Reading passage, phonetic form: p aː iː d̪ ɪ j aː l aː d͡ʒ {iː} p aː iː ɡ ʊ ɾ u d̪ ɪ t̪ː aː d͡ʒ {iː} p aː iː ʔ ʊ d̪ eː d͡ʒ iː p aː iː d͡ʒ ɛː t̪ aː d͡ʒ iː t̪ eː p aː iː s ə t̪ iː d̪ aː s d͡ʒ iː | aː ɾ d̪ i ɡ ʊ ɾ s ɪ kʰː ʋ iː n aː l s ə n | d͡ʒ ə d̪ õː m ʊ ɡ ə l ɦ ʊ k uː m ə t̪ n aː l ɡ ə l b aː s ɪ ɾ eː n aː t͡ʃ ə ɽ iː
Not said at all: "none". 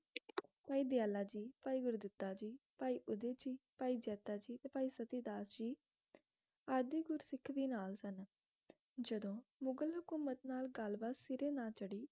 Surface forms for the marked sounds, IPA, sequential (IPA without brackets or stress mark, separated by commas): iː, iː